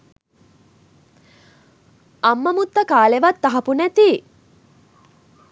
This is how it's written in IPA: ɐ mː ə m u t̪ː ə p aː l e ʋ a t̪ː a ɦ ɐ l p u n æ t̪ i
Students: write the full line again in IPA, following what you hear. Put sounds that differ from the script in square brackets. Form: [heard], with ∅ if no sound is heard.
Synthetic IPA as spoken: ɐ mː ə m u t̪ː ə [k] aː l e ʋ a t̪ː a ɦ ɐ [∅] p u n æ t̪ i